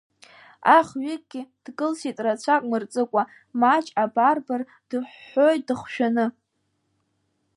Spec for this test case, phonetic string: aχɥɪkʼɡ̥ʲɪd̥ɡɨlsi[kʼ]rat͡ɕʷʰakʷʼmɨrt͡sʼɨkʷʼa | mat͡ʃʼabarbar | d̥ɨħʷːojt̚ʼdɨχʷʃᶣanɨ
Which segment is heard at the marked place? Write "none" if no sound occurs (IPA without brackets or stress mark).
tʼ